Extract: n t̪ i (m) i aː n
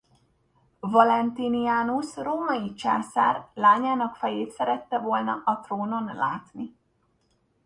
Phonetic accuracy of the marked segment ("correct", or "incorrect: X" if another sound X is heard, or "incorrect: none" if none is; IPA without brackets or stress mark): incorrect: n